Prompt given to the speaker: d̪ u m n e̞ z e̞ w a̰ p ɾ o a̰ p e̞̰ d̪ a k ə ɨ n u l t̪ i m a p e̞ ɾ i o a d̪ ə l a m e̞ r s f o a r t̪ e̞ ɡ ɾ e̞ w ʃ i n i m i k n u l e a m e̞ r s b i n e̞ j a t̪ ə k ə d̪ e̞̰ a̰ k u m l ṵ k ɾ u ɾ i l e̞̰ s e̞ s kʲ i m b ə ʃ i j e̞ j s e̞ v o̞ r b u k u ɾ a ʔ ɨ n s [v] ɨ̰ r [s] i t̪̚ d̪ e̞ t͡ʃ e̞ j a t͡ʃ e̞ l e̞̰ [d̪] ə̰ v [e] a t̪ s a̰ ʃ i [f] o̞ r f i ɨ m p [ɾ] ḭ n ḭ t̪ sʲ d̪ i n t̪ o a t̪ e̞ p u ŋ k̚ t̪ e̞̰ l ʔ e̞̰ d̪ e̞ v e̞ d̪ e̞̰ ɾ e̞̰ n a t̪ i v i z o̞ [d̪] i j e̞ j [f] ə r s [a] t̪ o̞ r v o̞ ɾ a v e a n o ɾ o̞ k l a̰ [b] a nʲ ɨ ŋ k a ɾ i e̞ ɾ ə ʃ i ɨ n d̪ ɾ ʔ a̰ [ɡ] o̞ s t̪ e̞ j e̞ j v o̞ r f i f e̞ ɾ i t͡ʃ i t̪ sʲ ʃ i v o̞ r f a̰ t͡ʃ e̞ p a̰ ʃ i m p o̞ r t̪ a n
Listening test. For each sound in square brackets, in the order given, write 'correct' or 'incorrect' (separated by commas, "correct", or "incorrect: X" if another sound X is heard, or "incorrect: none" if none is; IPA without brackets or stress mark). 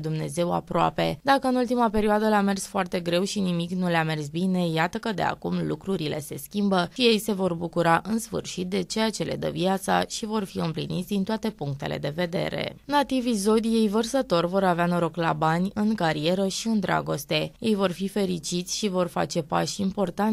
incorrect: f, incorrect: ʃ, correct, incorrect: i, incorrect: v, incorrect: l, correct, incorrect: v, incorrect: ə, correct, correct